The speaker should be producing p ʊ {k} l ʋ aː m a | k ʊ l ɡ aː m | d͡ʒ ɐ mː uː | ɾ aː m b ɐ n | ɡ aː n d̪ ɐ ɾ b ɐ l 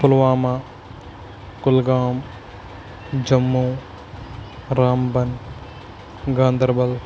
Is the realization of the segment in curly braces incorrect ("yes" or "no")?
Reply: yes